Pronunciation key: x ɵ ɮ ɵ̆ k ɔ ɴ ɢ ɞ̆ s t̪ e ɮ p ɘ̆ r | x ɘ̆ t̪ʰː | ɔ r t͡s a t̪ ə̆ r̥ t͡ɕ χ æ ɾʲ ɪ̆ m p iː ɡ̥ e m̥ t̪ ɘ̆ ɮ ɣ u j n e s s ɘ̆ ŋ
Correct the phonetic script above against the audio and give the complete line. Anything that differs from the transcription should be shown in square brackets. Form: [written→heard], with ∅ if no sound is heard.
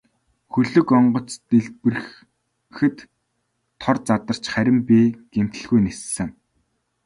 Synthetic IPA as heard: x ɵ ɮ ɵ̆ k ɔ ɴ ɢ ɞ̆ [s→t͡s] t̪ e ɮ p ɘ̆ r | x ɘ̆ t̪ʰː | ɔ r t͡s a t̪ ə̆ r̥ t͡ɕ χ æ ɾʲ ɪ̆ m p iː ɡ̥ e m̥ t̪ ɘ̆ ɮ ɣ u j n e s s ɘ̆ ŋ